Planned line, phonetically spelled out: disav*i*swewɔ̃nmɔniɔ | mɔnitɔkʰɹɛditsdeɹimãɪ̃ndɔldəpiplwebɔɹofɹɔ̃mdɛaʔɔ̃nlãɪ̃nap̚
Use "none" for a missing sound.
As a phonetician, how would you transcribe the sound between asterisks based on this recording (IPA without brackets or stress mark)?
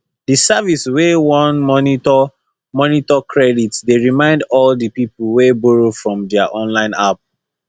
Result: i